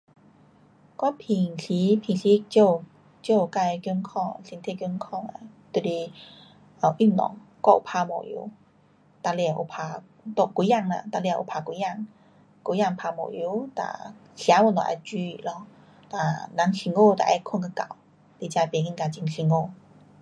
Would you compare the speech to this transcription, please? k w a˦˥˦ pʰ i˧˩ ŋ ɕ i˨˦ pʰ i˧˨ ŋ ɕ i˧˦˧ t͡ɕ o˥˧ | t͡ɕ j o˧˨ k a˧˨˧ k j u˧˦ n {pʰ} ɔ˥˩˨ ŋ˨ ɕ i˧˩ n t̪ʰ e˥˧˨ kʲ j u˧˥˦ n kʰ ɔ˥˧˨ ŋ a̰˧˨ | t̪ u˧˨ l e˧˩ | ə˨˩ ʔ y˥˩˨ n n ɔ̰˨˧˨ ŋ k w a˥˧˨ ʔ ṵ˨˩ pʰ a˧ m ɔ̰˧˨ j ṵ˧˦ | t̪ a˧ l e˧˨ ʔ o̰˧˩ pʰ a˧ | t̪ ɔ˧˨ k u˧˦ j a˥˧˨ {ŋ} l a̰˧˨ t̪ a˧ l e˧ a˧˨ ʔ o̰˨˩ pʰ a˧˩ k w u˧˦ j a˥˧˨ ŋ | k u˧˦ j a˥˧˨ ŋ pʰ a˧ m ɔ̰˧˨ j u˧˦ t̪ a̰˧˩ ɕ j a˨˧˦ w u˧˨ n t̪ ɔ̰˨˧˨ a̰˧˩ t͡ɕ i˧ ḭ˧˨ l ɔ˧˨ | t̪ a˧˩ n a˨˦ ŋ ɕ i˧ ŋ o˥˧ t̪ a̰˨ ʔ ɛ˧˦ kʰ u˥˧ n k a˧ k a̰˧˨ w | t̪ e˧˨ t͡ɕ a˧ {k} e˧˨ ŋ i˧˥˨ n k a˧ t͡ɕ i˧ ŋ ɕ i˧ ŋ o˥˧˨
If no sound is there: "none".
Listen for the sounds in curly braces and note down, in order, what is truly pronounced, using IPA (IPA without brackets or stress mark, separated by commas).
kʰ, ŋ, p